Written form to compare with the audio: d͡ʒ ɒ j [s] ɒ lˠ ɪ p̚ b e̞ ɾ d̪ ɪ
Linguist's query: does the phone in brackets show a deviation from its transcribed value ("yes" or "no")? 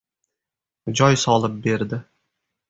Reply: no